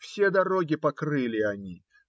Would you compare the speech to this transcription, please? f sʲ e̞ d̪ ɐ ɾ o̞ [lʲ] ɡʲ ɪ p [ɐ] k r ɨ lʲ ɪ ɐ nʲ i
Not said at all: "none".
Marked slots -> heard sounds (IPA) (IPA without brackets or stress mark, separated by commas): none, ɐ